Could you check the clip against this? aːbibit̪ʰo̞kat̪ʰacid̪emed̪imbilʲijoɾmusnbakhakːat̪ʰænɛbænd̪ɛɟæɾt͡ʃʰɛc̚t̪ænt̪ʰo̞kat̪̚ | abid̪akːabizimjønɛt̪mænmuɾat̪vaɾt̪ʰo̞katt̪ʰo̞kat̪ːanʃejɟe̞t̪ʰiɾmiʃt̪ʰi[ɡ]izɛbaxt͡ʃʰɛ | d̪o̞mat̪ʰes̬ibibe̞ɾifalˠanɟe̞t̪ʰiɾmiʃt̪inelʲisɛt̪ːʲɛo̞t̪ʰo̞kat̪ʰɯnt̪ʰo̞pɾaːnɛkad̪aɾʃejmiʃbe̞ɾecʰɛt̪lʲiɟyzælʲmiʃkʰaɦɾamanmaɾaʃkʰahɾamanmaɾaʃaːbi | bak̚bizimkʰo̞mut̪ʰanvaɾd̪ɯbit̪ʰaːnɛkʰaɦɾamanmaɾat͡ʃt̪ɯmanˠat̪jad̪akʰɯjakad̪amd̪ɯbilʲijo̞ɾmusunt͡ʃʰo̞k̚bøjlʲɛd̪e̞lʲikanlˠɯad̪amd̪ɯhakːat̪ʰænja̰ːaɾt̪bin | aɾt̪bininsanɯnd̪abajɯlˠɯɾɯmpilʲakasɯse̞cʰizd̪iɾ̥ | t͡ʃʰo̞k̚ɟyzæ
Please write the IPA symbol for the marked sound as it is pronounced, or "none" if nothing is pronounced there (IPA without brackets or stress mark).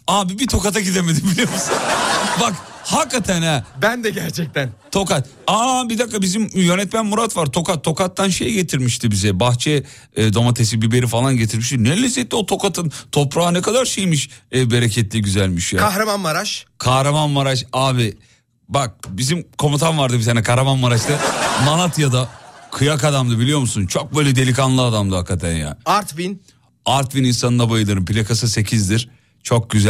b